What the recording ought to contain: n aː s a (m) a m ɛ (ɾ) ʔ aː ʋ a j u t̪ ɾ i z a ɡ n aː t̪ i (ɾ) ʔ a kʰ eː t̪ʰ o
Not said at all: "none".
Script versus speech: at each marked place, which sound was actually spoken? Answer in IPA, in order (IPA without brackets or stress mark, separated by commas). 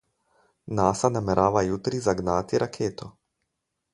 n, ɾ, ɾ